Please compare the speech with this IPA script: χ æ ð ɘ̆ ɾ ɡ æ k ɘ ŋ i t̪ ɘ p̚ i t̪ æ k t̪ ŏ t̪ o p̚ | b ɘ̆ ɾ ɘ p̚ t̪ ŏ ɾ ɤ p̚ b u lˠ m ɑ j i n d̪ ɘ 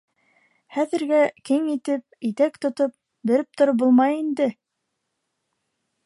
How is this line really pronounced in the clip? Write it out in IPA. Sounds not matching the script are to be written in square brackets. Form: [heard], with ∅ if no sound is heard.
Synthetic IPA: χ æ ð ɘ̆ ɾ ɡ æ k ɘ ŋ i t̪ ɘ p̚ i t̪ æ k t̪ ŏ t̪ o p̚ | b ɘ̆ ɾ ɘ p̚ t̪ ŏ ɾ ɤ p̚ b u lˠ m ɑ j i n d̪ ɘ